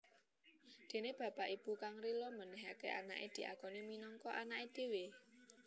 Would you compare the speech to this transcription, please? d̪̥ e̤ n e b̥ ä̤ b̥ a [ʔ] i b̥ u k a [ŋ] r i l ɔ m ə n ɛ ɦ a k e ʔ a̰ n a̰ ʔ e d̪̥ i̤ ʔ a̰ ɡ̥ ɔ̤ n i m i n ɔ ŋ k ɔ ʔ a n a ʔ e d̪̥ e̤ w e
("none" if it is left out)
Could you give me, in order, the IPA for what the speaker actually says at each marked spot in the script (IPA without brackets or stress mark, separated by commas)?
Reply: ʔ, ŋ